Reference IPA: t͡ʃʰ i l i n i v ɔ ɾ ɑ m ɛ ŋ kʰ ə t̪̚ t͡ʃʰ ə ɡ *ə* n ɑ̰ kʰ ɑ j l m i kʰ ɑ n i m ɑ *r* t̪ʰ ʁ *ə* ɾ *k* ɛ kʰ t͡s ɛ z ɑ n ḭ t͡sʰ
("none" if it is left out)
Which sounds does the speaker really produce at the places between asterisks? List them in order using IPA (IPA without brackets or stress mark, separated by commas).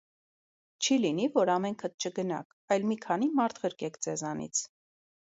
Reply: ə, ɾ, ə, k